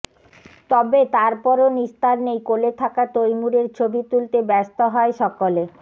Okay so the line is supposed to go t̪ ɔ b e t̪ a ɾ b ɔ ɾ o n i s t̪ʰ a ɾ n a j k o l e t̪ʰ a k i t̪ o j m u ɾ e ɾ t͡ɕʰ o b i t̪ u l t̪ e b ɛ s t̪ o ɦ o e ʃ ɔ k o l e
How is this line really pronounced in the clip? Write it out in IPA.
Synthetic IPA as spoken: t̪ ɔ b e t̪ a ɾ p ɔ ɾ o n i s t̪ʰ a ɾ n e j k o l e t̪ʰ a k a t̪ o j m u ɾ e ɾ t͡ɕʰ o b i t̪ u l t̪ e b ɛ s t̪ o ɦ ɔ e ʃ ɔ k o l e